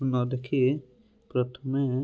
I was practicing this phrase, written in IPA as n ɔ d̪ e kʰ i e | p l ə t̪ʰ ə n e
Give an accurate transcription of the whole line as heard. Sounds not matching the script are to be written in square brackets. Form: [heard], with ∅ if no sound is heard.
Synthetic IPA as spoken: n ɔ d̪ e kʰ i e | p [ɾ] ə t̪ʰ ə [m] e